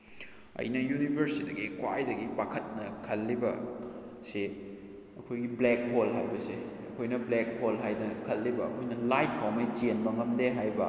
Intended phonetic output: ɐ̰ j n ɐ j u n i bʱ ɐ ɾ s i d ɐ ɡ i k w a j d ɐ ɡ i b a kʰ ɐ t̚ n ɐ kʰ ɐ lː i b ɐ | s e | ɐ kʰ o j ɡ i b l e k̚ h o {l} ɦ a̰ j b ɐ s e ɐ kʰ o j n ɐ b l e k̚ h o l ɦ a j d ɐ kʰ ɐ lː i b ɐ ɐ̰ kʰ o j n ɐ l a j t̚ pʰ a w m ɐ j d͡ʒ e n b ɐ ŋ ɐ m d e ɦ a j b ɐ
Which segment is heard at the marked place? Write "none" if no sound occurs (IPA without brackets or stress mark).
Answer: l